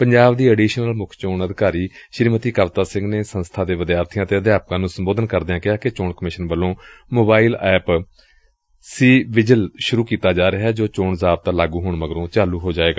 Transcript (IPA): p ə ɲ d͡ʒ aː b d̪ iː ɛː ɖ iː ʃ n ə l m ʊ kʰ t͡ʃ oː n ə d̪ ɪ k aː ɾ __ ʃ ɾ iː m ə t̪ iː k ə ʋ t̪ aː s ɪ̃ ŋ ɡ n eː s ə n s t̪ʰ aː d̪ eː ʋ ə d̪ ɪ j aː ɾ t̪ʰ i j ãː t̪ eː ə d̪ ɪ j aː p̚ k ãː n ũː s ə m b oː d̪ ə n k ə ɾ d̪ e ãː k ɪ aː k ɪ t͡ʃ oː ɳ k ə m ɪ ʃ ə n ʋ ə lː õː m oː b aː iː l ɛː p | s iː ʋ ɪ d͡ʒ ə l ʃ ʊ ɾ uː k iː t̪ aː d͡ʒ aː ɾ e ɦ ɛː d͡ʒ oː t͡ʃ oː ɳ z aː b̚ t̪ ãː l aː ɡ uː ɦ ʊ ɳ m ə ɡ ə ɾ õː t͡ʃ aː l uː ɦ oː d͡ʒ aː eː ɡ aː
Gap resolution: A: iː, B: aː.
A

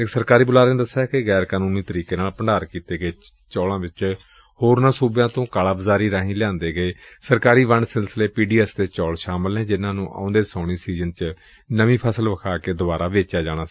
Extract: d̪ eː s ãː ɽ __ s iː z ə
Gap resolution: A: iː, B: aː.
A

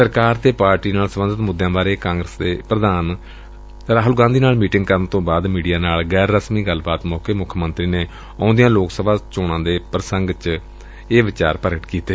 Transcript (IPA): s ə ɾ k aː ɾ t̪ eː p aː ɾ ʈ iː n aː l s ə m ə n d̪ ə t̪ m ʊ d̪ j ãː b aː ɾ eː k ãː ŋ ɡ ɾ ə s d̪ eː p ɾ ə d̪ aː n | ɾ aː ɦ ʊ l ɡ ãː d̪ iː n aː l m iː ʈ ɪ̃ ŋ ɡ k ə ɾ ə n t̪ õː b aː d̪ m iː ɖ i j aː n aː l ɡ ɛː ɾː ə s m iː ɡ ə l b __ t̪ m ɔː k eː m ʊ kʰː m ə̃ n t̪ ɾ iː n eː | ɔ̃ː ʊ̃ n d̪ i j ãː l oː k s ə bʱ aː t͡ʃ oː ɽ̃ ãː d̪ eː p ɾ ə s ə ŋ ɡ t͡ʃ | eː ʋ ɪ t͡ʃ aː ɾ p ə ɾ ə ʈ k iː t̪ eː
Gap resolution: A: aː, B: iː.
A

